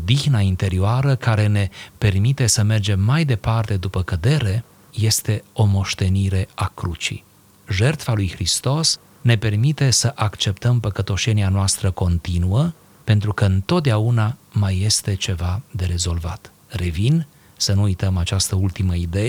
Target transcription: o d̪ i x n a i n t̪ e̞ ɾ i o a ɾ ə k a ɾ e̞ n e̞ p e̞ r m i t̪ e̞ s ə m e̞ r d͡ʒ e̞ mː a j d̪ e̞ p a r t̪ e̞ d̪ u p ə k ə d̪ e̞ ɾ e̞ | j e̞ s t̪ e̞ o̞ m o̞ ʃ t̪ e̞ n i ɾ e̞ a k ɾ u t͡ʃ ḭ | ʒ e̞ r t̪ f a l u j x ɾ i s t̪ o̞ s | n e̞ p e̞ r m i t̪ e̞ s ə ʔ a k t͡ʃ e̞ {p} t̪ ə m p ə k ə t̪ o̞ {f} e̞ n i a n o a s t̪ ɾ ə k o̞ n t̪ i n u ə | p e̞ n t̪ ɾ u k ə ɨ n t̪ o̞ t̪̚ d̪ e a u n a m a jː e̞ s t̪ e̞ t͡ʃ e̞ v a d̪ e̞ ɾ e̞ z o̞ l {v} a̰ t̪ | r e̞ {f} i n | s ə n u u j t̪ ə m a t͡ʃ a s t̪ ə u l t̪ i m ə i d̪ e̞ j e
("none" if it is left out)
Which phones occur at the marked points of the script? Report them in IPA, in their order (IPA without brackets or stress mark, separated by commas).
p, ʃ, v, v